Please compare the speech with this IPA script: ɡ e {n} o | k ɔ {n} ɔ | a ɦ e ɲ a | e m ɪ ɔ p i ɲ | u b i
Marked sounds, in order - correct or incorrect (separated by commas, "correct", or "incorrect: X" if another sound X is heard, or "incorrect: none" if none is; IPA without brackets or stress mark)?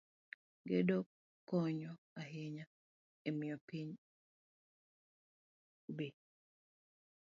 incorrect: d, incorrect: ɲ